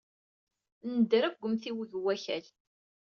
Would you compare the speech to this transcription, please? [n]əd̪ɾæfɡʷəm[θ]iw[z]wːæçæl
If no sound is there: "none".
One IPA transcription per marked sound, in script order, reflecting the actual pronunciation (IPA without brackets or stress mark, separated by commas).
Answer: n, θ, ð